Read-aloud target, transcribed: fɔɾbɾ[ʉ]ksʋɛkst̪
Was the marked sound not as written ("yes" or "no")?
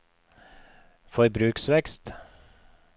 yes